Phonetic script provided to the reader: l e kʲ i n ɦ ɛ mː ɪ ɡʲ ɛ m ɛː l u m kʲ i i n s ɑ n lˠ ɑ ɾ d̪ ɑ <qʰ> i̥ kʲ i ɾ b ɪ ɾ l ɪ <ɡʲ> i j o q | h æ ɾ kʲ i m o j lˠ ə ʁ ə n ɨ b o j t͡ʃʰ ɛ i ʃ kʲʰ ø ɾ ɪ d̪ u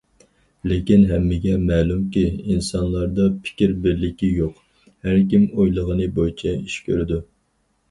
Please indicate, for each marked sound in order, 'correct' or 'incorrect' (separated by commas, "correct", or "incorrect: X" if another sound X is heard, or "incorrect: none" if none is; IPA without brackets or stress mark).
incorrect: pʰ, incorrect: kʲ